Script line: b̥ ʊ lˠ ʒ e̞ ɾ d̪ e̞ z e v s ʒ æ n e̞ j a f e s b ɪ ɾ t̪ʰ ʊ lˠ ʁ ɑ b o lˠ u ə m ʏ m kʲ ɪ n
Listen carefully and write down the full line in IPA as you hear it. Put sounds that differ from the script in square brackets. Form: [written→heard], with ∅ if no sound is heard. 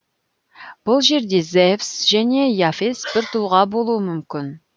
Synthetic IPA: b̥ ʊ lˠ ʒ e̞ ɾ d̪ e̞ z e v s ʒ æ n e̞ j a f e s b ɪ ɾ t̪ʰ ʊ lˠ ʁ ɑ b o lˠ u ə m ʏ m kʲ ɪ n